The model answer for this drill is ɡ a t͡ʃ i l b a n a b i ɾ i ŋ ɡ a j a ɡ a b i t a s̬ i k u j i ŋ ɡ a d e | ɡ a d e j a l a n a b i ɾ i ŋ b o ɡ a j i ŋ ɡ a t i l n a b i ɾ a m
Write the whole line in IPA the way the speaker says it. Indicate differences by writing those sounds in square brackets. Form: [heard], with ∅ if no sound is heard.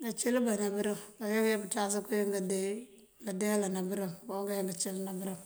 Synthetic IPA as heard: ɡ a t͡ʃ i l b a n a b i ɾ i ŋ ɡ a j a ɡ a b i t a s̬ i k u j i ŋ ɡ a d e | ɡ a d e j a l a n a b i ɾ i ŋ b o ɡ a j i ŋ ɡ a [t͡ʃ] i l n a b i ɾ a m